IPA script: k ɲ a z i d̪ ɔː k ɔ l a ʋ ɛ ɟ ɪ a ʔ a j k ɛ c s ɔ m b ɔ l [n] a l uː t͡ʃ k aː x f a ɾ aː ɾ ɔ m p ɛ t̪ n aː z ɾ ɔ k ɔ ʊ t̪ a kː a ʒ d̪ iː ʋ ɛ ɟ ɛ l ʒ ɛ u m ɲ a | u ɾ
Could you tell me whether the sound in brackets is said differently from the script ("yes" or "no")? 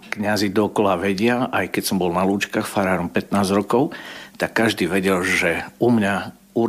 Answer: no